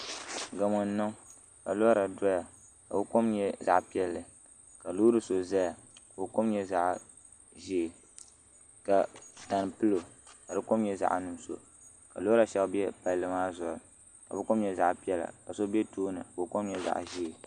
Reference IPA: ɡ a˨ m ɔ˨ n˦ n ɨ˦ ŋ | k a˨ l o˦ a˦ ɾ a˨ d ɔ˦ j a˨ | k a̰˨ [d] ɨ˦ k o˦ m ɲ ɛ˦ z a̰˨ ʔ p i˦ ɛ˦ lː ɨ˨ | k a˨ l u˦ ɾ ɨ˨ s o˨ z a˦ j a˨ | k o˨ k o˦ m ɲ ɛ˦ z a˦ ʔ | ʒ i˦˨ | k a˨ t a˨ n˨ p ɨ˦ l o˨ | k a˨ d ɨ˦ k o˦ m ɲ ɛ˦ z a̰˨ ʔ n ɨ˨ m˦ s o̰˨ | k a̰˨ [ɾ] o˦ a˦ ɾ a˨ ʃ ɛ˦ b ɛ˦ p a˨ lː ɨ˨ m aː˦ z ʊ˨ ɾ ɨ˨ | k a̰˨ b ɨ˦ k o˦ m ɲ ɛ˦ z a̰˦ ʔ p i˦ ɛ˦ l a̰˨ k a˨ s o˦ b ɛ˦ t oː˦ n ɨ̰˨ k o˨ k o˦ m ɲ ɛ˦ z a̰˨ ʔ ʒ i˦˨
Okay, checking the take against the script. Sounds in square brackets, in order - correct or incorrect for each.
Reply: incorrect: b, incorrect: l

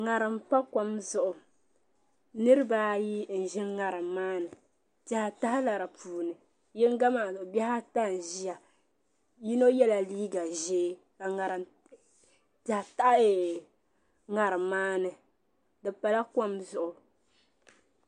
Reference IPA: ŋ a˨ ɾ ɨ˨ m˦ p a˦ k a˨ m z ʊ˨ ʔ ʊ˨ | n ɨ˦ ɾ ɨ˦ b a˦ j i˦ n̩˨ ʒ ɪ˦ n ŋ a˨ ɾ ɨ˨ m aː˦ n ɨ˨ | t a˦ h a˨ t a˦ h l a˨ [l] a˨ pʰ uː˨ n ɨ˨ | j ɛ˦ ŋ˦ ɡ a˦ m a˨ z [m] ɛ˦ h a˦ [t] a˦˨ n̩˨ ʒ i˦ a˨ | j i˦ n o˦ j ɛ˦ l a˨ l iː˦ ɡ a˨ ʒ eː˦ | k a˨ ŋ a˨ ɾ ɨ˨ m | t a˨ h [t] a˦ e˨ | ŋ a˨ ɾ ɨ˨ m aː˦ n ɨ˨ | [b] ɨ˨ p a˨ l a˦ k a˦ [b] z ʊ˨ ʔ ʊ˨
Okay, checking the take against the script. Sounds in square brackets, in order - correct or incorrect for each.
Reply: incorrect: ɾ, incorrect: b, correct, correct, incorrect: d, incorrect: m

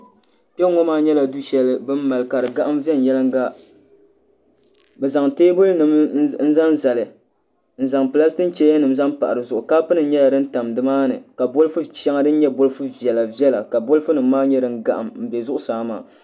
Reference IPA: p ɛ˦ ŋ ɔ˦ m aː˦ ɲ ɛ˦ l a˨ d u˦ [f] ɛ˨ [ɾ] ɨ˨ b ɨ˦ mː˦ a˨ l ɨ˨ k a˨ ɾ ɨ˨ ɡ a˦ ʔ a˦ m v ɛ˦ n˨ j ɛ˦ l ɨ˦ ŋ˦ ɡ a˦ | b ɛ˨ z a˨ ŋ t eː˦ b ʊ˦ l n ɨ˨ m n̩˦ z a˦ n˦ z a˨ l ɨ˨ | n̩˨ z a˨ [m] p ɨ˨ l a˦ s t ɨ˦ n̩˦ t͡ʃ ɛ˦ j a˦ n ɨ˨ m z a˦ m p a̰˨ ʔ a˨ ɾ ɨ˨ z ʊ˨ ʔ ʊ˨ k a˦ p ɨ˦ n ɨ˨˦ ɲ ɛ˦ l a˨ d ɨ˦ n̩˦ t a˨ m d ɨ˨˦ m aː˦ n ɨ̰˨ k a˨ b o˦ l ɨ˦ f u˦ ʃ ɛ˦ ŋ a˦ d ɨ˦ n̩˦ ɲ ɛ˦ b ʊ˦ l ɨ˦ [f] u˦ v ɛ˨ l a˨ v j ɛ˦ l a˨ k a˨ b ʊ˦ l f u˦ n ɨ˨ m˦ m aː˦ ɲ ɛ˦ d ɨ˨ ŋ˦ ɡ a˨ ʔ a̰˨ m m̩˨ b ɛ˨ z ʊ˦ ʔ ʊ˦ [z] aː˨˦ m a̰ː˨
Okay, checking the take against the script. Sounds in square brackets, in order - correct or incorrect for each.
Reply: incorrect: ʃ, incorrect: l, incorrect: ŋ, correct, incorrect: s

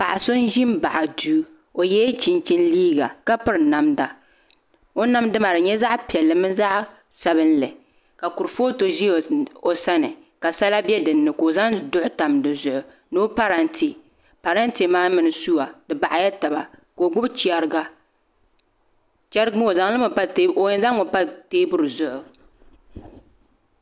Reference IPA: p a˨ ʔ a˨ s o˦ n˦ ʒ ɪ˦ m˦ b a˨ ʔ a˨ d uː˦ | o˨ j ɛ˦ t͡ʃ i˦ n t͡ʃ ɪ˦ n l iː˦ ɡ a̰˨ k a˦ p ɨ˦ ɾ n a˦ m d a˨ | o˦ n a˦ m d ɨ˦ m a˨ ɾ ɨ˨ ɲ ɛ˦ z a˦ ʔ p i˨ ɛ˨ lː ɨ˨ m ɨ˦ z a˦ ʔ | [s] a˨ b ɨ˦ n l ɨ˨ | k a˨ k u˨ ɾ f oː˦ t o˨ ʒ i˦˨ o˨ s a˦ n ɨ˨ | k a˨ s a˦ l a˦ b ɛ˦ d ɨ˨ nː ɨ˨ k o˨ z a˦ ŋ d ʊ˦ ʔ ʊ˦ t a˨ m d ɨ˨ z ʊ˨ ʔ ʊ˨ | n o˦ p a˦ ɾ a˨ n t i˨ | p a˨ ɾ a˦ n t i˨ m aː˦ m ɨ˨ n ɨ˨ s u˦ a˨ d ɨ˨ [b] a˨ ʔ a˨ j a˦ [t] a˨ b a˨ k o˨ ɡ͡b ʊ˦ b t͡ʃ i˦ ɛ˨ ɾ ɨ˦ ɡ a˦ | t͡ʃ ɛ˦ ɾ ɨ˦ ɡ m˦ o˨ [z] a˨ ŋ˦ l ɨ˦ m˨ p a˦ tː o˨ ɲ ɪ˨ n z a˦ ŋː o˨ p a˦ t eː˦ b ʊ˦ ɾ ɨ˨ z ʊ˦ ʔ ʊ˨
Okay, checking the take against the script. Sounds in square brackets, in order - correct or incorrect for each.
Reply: correct, correct, correct, correct

